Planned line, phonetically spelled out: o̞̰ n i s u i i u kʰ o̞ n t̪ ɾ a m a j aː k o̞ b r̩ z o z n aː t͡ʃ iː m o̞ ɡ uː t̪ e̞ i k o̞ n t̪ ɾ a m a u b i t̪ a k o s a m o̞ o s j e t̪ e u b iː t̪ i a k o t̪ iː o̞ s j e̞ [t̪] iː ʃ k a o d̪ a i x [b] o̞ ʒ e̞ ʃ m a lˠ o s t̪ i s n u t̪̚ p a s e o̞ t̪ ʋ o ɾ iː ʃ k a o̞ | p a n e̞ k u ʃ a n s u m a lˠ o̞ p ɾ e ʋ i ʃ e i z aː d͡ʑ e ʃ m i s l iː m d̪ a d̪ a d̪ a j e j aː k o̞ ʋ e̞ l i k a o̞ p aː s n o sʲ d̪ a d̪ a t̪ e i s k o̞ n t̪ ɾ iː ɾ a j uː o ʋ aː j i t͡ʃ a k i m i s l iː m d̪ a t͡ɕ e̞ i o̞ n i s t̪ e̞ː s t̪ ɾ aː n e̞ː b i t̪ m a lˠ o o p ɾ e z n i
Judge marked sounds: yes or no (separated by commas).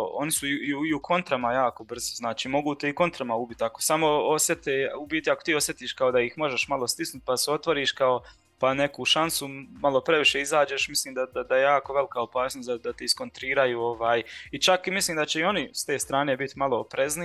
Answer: yes, no